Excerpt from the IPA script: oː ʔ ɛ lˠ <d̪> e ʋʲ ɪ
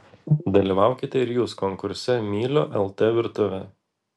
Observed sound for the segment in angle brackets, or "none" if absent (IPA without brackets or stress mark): t̪